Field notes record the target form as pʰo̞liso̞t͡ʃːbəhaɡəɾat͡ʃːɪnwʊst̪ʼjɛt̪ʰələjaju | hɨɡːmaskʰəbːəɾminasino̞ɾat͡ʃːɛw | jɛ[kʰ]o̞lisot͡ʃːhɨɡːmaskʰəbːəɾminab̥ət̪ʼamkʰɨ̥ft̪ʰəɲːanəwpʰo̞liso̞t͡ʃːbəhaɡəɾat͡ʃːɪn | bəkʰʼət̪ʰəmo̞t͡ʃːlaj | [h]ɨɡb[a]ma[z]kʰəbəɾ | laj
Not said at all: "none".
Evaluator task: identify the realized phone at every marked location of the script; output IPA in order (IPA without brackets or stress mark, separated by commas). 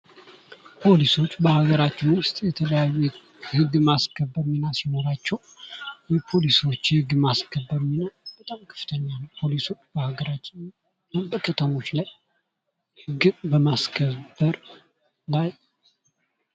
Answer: pʰ, h, ə, s